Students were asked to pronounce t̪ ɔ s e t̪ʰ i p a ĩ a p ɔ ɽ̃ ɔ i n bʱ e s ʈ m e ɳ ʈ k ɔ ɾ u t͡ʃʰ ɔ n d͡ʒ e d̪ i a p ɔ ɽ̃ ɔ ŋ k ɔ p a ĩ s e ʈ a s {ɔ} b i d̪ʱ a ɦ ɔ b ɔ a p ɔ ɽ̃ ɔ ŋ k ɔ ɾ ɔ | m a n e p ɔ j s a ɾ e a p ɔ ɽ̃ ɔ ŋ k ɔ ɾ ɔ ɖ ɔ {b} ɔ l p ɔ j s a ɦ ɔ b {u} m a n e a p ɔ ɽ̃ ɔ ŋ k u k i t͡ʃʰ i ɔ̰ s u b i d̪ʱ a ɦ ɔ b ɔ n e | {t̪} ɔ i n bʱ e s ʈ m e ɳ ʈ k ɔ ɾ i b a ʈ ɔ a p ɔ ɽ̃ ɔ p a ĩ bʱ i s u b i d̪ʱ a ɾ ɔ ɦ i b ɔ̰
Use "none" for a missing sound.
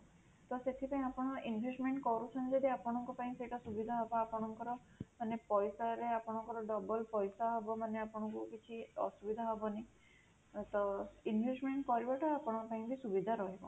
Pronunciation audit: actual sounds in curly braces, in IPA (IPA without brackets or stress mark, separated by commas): u, b, ɔ, t̪